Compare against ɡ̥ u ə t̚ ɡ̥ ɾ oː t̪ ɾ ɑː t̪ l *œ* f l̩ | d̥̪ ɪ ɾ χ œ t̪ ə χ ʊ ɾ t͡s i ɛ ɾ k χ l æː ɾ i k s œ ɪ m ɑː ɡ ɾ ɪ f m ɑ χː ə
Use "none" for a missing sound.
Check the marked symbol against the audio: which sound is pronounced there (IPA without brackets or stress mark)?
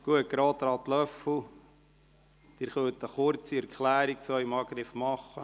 œ